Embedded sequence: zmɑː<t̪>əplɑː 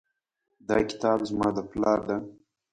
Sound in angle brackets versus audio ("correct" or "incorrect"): incorrect